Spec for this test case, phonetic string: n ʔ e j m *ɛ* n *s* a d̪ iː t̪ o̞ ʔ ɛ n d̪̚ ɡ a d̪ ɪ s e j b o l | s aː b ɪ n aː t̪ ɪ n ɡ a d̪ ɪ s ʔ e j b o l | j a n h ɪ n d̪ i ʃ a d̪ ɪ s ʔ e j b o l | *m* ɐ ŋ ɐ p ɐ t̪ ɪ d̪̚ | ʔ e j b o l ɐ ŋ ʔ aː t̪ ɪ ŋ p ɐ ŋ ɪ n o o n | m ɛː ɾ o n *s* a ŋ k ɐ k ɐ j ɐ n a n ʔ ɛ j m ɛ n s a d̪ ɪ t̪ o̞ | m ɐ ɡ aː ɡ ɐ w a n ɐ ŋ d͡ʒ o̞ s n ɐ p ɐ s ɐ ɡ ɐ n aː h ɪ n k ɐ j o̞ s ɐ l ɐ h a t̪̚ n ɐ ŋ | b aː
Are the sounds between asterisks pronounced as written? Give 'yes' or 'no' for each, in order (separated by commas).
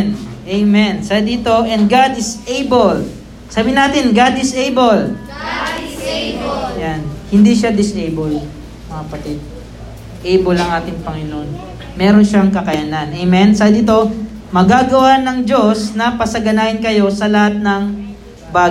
yes, yes, yes, no